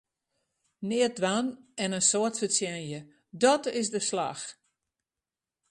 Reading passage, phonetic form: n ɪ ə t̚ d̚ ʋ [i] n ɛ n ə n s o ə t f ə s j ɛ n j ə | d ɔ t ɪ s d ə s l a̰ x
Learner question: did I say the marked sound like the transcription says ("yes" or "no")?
no